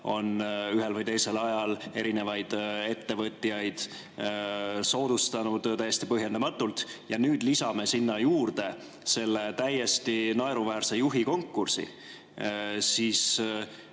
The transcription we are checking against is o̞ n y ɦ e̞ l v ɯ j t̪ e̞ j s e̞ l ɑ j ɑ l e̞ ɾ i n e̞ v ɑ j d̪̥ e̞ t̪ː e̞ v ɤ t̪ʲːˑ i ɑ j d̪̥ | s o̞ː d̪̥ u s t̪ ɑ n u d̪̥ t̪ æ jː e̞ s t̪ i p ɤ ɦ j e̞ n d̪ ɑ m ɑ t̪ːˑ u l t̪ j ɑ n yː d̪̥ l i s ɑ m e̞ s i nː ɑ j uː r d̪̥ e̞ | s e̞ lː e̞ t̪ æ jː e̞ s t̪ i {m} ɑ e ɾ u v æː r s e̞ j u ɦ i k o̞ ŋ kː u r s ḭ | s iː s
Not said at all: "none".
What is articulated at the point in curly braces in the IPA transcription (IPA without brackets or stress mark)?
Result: n